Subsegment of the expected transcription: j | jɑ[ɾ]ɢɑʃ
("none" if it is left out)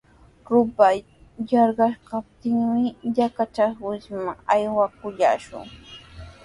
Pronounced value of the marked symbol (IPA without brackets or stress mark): ɾ